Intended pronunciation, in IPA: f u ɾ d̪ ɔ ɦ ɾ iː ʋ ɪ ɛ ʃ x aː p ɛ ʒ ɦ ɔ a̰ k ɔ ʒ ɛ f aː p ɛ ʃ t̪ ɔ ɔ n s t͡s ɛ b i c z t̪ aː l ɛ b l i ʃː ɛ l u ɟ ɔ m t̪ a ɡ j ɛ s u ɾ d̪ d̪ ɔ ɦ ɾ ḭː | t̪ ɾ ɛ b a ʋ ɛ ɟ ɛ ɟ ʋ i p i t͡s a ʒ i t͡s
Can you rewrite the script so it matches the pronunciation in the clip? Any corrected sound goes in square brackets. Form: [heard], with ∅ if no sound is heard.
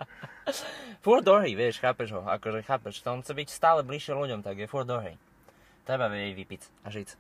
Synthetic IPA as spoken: f u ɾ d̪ ɔ ɦ ɾ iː ʋ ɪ ɛ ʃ x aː p ɛ ʒ ɦ ɔ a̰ k ɔ ʒ ɛ [x] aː p ɛ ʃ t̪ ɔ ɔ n [x] t͡s ɛ b i c [s] t̪ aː l ɛ b l i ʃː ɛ l u ɟ ɔ m t̪ a ɡ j ɛ [f] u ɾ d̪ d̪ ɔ ɦ ɾ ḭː | t̪ ɾ ɛ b a ʋ ɛ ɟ ɛ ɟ ʋ i p i t͡s a ʒ i t͡s